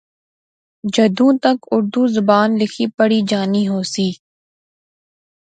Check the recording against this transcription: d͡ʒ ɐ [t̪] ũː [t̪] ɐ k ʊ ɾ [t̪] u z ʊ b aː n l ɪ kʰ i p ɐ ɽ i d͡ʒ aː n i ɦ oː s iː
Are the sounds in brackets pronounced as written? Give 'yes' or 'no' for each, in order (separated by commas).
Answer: no, yes, no